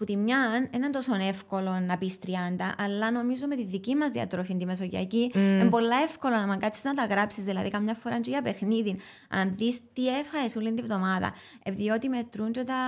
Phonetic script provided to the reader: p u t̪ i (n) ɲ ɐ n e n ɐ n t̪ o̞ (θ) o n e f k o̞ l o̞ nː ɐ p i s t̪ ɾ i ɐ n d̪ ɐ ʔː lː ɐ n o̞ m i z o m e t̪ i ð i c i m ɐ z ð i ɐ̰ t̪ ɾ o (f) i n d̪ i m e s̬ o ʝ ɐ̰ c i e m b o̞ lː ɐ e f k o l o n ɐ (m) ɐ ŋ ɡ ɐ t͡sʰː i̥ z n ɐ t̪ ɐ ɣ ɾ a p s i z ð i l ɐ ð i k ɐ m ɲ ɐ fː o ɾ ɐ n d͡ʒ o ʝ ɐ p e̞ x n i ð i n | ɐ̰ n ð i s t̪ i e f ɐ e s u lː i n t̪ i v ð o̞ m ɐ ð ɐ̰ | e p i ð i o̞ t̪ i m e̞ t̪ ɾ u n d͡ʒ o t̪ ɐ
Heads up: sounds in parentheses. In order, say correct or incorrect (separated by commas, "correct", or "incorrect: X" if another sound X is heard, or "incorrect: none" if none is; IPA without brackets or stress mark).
incorrect: m, incorrect: s, correct, correct